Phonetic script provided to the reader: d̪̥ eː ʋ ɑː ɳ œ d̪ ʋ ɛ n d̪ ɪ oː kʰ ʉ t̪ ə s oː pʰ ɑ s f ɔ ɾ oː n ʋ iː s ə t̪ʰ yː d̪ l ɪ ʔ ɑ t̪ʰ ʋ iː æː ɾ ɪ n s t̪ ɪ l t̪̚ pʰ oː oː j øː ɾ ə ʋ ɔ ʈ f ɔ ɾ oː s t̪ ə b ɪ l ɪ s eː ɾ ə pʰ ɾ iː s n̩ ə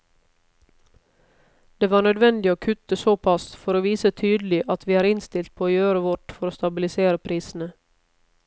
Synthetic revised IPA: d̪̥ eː ʋ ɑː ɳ œ d̪ ʋ ɛ n d̪ ɪ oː kʰ ʉ t̪ ə s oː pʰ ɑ s f ɔ ɾ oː ʋ iː s ə t̪ʰ yː d̪ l ɪ ʔ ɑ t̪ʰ ʋ iː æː ɾ ɪ n s t̪ ɪ l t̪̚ pʰ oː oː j øː ɾ ə ʋ ɔ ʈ f ɔ ɾ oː s t̪ ɑ b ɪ l ɪ s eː ɾ ə pʰ ɾ iː s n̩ ə